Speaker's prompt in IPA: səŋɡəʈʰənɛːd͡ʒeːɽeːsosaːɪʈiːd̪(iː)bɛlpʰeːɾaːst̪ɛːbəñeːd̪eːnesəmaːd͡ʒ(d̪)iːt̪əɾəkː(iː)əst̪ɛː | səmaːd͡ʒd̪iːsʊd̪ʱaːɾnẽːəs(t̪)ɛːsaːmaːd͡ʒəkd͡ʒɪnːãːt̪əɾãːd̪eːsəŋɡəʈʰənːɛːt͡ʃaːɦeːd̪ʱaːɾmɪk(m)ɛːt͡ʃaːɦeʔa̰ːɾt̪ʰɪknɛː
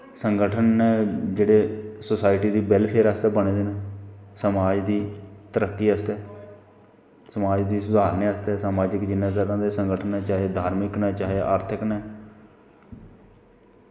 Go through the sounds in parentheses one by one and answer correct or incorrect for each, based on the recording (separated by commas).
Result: correct, correct, correct, correct, incorrect